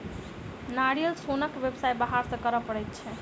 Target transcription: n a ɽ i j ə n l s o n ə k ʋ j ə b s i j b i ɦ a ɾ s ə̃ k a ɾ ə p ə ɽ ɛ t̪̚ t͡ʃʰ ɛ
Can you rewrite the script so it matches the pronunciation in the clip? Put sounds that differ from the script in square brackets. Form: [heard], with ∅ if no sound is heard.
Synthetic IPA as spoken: n a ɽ i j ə [∅] l s o n ə k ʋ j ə b s [a] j b [a] ɦ a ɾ s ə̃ k [ə] ɾ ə p ə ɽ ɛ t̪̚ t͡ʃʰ ɛ